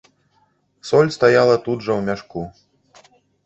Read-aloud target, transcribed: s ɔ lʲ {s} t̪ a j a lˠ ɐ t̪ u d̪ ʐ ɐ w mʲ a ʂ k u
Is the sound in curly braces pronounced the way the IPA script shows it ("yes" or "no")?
yes